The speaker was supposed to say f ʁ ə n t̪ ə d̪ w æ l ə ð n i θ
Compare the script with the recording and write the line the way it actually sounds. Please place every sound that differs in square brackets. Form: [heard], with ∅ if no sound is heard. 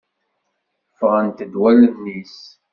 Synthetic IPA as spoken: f ʁ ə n t̪ ə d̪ w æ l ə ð n i [s]